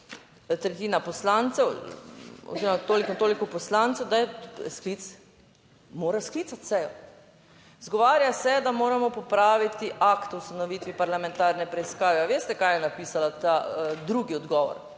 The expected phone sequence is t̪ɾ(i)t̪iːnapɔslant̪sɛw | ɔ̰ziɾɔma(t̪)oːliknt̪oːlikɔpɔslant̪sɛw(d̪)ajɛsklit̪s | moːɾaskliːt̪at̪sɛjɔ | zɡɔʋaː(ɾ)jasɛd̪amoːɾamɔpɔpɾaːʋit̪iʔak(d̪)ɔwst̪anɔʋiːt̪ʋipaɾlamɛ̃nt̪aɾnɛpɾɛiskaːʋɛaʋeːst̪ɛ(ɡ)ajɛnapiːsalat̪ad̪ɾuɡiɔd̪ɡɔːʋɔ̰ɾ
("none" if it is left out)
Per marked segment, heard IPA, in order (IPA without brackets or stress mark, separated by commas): ɛ, t̪, d̪, ɾ, t̪, k